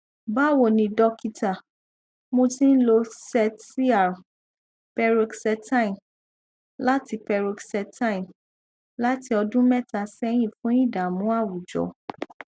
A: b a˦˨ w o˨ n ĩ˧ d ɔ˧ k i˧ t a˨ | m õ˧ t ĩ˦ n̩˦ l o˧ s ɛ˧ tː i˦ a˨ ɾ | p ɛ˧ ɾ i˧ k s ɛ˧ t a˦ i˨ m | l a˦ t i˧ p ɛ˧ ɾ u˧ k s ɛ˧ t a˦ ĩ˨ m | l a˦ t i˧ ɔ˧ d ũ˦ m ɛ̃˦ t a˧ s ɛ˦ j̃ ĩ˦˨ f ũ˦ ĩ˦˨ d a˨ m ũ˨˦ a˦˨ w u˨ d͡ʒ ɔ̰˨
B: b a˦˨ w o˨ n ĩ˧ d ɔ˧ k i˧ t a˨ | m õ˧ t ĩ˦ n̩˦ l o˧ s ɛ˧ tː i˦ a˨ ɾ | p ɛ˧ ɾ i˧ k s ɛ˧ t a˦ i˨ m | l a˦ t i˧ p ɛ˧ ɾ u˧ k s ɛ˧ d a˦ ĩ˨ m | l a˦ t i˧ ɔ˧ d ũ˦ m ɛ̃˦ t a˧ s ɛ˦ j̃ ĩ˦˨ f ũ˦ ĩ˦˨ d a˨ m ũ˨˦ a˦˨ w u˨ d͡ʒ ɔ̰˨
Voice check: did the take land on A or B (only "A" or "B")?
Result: A